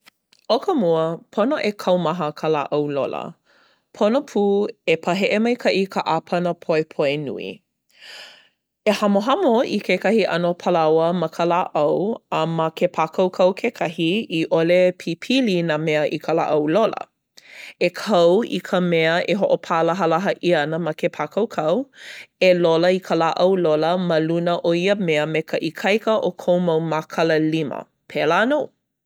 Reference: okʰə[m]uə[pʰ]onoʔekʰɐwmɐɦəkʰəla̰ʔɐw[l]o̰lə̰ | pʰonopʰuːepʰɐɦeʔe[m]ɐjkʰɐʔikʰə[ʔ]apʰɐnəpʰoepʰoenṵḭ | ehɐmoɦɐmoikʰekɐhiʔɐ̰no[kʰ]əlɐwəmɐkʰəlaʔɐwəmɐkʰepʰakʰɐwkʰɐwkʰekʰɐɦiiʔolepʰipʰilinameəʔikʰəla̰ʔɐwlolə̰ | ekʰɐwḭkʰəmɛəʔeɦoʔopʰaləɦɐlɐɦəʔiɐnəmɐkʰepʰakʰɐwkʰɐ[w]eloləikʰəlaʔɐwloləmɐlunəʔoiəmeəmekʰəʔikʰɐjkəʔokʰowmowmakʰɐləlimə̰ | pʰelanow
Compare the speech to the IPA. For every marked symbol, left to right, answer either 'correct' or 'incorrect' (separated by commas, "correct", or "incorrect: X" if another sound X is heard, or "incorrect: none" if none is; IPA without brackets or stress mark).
correct, correct, correct, correct, correct, incorrect: pʰ, correct